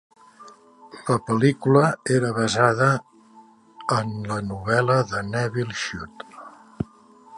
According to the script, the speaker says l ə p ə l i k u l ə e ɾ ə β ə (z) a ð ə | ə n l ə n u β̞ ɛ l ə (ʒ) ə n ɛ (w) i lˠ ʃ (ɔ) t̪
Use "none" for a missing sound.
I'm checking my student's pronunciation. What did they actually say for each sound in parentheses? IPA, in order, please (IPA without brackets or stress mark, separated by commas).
z, ð, β, u